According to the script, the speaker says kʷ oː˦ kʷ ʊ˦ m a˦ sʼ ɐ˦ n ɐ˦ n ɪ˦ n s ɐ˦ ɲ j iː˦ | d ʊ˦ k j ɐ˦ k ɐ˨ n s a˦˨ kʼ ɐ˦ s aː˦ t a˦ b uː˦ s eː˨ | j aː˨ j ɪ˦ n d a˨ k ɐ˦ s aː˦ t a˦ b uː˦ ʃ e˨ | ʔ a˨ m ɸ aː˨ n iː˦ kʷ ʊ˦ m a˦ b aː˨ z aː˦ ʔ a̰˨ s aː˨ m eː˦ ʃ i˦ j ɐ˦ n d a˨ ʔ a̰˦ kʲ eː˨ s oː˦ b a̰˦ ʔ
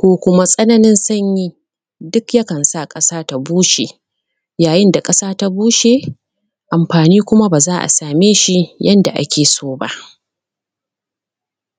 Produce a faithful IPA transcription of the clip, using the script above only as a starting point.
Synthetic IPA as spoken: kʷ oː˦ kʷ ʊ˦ m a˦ sʼ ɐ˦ n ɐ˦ n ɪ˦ n s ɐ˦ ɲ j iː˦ | d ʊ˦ k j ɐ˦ k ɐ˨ n s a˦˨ kʼ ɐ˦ s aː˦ t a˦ b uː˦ ʃ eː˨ | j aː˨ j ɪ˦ n d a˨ kʼ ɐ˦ s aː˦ t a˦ b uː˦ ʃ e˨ | ʔ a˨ m ɸ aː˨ n iː˦ kʷ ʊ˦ m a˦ b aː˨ z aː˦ ʔ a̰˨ s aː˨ m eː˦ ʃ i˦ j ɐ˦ n d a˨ ʔ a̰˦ kʲ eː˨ s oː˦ b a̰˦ ʔ